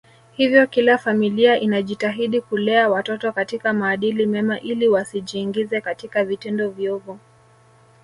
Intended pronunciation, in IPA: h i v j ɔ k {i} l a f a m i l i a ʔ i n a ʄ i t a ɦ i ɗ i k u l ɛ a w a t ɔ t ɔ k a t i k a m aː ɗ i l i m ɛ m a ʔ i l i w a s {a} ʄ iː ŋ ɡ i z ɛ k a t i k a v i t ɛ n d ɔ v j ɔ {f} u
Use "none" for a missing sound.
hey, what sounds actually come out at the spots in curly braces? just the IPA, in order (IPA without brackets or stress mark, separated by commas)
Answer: i, i, v